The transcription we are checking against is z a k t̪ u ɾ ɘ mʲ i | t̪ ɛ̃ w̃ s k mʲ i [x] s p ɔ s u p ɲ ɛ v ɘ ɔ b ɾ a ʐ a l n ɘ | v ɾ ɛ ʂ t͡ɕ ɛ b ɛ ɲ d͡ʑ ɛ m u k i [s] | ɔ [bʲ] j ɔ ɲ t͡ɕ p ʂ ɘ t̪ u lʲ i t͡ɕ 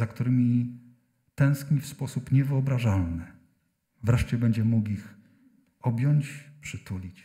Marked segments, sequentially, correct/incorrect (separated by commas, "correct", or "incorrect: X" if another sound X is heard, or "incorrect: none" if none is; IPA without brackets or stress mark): incorrect: f, incorrect: x, correct